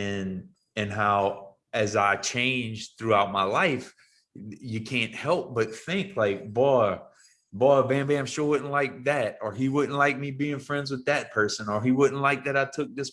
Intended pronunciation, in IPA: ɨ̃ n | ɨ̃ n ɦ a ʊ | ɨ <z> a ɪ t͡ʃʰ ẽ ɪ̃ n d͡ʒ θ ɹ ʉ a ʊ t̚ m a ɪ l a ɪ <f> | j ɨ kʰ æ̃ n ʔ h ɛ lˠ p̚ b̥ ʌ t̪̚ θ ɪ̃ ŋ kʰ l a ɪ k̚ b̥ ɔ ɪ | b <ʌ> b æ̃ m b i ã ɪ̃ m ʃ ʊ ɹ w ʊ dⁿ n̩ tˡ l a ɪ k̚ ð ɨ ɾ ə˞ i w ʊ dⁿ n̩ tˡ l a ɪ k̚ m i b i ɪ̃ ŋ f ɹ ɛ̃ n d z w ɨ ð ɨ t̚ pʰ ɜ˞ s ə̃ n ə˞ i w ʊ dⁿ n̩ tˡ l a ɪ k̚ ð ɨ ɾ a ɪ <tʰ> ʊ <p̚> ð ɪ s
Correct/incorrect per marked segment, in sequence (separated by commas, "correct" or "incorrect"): correct, correct, incorrect, correct, incorrect